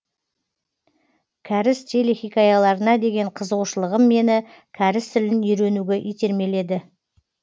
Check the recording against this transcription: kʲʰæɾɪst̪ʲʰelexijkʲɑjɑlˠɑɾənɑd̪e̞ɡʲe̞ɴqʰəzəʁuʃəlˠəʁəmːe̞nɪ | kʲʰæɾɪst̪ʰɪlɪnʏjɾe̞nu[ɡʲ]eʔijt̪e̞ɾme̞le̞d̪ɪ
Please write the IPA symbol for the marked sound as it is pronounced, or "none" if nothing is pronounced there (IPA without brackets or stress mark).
ɡʲ